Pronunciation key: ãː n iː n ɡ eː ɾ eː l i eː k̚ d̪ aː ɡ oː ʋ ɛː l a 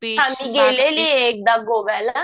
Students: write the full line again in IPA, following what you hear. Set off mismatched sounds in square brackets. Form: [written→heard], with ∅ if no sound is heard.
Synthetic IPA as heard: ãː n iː [n→∅] ɡ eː [ɾ→l] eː l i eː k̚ d̪ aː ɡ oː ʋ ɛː l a